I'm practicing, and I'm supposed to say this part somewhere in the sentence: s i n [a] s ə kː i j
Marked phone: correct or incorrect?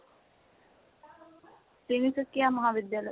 incorrect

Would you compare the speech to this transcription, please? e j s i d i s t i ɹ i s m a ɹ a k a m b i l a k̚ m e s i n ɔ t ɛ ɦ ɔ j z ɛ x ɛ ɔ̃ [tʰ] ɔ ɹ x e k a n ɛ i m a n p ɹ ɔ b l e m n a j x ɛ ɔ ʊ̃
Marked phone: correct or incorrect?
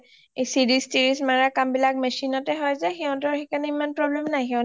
incorrect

